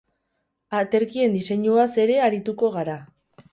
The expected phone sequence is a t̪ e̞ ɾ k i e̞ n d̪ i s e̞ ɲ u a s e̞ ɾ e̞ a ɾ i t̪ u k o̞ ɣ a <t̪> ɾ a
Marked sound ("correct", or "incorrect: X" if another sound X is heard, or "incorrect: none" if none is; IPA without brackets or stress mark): incorrect: none